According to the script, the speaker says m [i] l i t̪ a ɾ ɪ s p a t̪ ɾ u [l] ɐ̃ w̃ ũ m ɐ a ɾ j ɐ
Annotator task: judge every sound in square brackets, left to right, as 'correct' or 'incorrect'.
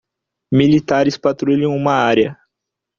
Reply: correct, incorrect: ʎ

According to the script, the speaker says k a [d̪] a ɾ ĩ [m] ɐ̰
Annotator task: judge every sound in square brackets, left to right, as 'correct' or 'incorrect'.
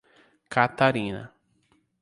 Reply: incorrect: t̪, incorrect: n

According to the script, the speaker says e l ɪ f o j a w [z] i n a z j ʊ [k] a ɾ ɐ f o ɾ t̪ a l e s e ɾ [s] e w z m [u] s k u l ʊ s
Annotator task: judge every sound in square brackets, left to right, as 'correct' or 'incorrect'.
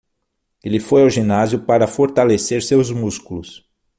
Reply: incorrect: ʒ, incorrect: p, correct, correct

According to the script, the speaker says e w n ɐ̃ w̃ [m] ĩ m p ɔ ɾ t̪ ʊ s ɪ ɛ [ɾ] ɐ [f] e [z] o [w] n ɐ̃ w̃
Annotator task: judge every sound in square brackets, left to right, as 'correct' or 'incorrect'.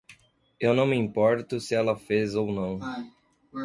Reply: correct, incorrect: l, correct, correct, correct

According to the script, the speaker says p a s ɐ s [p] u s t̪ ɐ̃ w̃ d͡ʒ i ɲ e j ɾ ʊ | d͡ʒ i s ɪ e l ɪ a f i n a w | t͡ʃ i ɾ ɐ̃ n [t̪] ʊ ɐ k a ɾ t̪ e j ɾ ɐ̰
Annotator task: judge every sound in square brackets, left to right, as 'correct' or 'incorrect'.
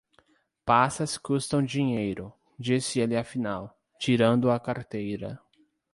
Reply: incorrect: k, incorrect: d̪

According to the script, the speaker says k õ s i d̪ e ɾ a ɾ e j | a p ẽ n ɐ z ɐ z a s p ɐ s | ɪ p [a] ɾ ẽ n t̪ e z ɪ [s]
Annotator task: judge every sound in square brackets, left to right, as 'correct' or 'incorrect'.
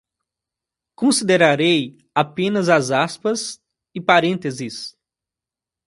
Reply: correct, correct

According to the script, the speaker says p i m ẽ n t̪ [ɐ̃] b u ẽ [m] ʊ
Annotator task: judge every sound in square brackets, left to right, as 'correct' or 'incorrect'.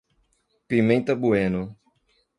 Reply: incorrect: ɐ, incorrect: n

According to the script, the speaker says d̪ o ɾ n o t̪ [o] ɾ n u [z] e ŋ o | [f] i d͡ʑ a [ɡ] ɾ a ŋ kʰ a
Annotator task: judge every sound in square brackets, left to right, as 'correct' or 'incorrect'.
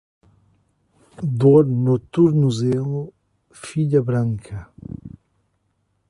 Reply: incorrect: u, correct, correct, incorrect: b

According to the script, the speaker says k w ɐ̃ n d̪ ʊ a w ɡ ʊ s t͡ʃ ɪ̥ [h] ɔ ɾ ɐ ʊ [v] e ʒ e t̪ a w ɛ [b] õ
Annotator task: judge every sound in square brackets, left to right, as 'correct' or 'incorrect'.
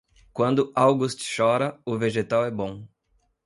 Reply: incorrect: ʃ, correct, correct

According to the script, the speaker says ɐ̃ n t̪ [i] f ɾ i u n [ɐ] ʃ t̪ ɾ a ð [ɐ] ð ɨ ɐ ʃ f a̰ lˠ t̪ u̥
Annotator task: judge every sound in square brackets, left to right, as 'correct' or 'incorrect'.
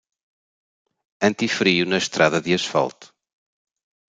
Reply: correct, correct, correct

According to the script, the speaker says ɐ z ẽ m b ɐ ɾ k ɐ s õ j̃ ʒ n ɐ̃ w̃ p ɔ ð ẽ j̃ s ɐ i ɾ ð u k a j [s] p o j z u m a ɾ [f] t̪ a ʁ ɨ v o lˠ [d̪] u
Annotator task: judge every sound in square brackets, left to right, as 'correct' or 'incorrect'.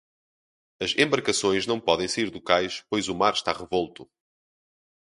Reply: incorrect: ʃ, incorrect: ʃ, incorrect: t̪

